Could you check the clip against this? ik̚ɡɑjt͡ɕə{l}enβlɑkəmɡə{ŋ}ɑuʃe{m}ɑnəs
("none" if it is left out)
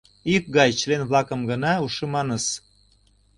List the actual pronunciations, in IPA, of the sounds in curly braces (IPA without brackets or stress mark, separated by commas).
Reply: l, n, m